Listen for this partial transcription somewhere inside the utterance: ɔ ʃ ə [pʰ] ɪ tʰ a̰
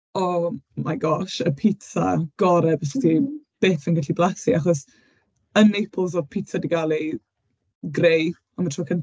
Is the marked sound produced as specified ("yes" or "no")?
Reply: yes